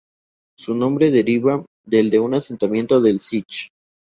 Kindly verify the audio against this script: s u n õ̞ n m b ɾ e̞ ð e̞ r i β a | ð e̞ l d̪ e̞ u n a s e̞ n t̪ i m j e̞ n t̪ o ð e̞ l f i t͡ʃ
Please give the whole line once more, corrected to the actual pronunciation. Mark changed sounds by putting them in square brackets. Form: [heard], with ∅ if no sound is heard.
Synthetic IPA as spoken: s u n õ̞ [∅] m b ɾ e̞ ð e̞ [ɾ] i β a | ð e̞ l d̪ e̞ u n a s e̞ n t̪ [a] m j e̞ n t̪ o ð e̞ l [s] i t͡ʃ

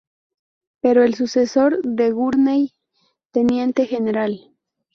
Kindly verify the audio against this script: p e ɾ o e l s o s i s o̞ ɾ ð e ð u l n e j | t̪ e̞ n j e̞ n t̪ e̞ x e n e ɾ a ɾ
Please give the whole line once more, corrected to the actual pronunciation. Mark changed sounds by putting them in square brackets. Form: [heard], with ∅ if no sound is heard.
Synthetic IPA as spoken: p e ɾ o e l s [u] s [e] s o̞ ɾ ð e [ɣ] u [ɾ] n e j | t̪ e̞ n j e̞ n t̪ e̞ x e n e ɾ a [l]

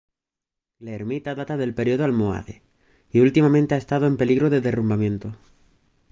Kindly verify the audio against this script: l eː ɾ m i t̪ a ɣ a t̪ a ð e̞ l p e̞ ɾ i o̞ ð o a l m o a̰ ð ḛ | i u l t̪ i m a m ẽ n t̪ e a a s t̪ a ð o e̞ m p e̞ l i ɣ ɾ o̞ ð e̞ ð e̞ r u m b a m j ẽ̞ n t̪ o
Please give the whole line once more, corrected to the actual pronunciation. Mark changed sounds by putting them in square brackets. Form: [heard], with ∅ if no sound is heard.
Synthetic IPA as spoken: l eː ɾ m i t̪ a [ð] a t̪ a ð e̞ l p e̞ ɾ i o̞ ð o a l m o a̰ ð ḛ | i u l t̪ i m a m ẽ n t̪ e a [e] s t̪ a ð o e̞ m p e̞ l i ɣ ɾ o̞ ð e̞ ð e̞ r u m b a m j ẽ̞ n t̪ o

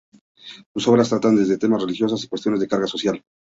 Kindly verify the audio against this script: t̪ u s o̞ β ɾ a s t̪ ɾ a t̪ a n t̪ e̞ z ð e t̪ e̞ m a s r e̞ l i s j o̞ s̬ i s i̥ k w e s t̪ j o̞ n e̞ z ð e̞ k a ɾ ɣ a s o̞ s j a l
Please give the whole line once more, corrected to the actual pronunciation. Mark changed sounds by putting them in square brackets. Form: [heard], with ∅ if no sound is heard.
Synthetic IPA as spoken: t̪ u s o̞ β ɾ a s t̪ ɾ a t̪ a n [d̪] e̞ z ð e t̪ e̞ m a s r e̞ l i [x] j o̞ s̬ [a] s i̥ k w e s t̪ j o̞ n e̞ z ð e̞ k a ɾ ɣ a s o̞ s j a l

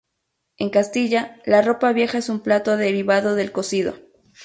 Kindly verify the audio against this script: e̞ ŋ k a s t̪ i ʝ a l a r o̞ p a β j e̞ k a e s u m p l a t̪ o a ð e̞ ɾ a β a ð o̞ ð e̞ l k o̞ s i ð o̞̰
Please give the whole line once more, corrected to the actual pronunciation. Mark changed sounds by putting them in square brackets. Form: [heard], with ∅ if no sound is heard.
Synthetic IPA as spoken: e̞ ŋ k a s t̪ i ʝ a l a r o̞ p a β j e̞ [x] a e s u m p l a t̪ o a ð e̞ ɾ [i] β a ð o̞ ð e̞ l k o̞ s i ð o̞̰

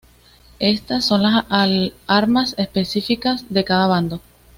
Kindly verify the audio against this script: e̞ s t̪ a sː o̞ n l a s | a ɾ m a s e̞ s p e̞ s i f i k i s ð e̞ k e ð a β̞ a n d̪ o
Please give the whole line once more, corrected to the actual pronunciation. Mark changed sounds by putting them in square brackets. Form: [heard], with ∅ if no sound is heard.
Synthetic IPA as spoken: e̞ s t̪ a sː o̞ n l a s | a ɾ m a s e̞ s p e̞ s i f i k [a] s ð e̞ k [a] ð a β̞ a n d̪ o

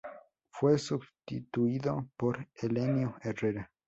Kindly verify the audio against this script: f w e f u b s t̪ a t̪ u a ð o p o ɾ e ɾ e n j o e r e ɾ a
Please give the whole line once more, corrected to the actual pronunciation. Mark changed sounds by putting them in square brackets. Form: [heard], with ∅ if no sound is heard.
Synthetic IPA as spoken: f w e [s] u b s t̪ [i] t̪ u [i] ð o p o ɾ e [l] e n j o e r e ɾ a

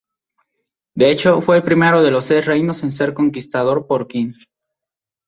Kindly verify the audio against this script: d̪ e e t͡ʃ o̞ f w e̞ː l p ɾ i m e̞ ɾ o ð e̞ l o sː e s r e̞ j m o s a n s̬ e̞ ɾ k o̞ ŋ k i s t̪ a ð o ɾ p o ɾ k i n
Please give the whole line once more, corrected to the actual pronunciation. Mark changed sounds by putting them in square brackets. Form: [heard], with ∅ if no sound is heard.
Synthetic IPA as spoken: d̪ e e t͡ʃ o̞ f w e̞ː l p ɾ i m e̞ ɾ o ð e̞ l o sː e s r e̞ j [n] o s [e] n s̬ e̞ ɾ k o̞ ŋ k i s t̪ a ð o ɾ p o ɾ k i n

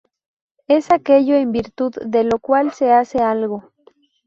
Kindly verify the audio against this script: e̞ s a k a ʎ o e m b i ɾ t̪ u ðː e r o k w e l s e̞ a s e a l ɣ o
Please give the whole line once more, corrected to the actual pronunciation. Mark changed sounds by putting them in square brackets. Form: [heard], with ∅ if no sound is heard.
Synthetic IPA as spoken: e̞ s a k [e] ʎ o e m b i ɾ t̪ u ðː e [l] o k w [a] l s e̞ a s e a l ɣ o

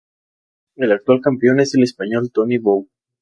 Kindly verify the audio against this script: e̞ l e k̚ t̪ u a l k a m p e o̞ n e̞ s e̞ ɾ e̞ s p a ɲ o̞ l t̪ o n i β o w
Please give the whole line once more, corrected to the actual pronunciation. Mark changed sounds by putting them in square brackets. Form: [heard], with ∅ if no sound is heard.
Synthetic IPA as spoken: e̞ l [a] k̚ t̪ [w] a l k a m p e o̞ n e̞ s e̞ [l] e̞ s p a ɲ o̞ l t̪ o n i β o w

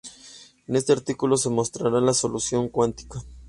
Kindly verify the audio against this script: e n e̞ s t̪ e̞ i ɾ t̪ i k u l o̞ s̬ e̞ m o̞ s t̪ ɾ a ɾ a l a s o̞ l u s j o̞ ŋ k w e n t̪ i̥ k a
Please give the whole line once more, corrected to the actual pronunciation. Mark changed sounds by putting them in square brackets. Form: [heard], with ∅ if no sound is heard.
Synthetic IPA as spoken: e n e̞ s t̪ e̞ [a] ɾ t̪ i k u l o̞ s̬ e̞ m o̞ s t̪ ɾ a ɾ a l a s o̞ l u s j o̞ ŋ k w [a] n t̪ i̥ k a

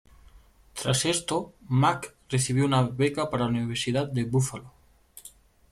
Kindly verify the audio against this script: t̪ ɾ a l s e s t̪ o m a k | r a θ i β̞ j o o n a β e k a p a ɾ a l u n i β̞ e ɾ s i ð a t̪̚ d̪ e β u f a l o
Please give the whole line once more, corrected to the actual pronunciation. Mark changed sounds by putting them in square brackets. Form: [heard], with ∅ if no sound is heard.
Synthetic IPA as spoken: t̪ ɾ a [∅] s e s t̪ o m a k | r [e] θ i β̞ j o [u] n a β e k a p a ɾ a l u n i β̞ e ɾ s i ð a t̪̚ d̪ e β u f a l o

